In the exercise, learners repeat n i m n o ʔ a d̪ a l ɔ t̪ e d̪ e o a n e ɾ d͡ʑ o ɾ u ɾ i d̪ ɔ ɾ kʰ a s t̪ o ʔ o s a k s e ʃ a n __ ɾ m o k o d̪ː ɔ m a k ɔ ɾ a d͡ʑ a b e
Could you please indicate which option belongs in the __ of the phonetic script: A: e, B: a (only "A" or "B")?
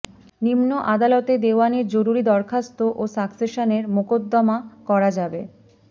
A